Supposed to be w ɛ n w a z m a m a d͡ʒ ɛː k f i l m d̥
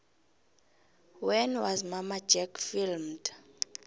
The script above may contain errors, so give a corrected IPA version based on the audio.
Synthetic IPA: w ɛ n w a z m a m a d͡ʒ ɛ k f i l m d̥